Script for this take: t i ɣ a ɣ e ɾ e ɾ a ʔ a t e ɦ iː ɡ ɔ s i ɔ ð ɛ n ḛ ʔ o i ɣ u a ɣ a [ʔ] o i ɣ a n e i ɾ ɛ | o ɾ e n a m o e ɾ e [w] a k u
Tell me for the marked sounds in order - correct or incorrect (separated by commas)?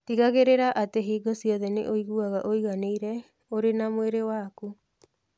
correct, correct